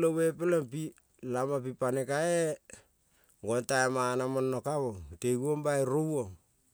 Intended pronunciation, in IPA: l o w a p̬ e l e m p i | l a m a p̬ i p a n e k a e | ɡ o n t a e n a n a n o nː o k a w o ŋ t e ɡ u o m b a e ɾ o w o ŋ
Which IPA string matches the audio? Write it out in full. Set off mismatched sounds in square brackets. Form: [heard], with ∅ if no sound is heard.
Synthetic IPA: l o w [e] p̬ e l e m p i | l a m a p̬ i p a n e k a e | ɡ o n t a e [m] a n a [m] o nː o k a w o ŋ t e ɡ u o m b a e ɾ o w o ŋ